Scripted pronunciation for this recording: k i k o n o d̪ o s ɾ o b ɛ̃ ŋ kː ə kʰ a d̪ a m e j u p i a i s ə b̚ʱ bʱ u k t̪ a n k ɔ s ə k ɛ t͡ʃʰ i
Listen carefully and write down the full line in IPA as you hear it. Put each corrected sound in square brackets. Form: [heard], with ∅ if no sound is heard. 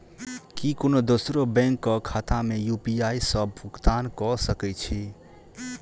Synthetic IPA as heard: k i k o n o d̪ o s ɾ o b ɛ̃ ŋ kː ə kʰ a [t̪] a m e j u p i a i s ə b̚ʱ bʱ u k t̪ a n k ɔ s ə k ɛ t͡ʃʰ i

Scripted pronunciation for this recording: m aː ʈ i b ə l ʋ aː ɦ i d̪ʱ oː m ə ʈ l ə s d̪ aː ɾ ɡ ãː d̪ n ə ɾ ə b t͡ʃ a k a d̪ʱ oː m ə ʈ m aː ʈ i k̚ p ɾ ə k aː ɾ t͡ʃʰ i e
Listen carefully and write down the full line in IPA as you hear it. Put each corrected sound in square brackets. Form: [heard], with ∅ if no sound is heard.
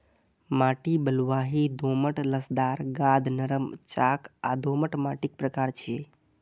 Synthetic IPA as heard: m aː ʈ i b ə l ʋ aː ɦ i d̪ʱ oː m ə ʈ l ə s d̪ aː ɾ ɡ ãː d̪ n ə ɾ ə [m] t͡ʃ a k a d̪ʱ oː m ə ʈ m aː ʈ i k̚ p ɾ ə k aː ɾ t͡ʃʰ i e

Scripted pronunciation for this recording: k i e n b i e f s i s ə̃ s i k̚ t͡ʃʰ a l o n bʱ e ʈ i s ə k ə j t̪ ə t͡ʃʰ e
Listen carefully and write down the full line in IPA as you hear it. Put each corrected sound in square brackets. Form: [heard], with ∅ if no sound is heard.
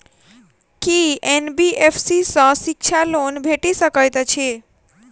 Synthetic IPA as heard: k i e n b i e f s i s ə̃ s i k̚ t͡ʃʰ a l o n bʱ e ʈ i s ə k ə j t̪ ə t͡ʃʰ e

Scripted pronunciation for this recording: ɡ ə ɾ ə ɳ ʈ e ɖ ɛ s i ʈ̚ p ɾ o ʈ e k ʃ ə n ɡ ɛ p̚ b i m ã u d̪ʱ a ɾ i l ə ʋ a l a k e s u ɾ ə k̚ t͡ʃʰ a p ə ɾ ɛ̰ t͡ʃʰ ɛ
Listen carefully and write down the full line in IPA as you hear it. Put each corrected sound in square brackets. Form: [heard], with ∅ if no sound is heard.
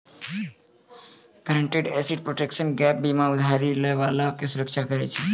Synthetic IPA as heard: ɡ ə ɾ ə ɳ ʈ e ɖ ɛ s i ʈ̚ p ɾ o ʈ e k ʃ ə n ɡ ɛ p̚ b i m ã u d̪ʱ a ɾ i l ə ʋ a l a k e s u ɾ ə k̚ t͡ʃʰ a [k] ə ɾ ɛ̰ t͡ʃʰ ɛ

